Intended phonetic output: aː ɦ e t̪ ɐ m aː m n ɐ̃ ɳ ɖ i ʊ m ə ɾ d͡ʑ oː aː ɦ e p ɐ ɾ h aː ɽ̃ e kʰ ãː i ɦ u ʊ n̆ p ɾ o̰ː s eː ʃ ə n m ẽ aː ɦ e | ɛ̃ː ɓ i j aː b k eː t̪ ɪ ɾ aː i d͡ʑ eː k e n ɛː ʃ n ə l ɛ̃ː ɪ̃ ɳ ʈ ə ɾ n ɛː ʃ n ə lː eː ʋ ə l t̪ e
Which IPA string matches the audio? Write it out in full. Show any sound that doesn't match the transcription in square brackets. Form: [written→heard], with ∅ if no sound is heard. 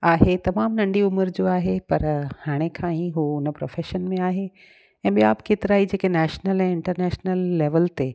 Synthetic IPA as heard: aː ɦ e t̪ ɐ m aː m n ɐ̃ ɳ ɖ i ʊ m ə ɾ d͡ʑ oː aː ɦ e p ɐ ɾ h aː ɽ̃ e kʰ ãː i ɦ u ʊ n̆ p ɾ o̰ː [s→f] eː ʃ ə n m ẽ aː ɦ e | ɛ̃ː ɓ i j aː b k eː t̪ ɪ ɾ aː i d͡ʑ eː k e n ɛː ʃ n ə l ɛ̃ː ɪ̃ ɳ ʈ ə ɾ n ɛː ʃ n ə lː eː ʋ ə l t̪ e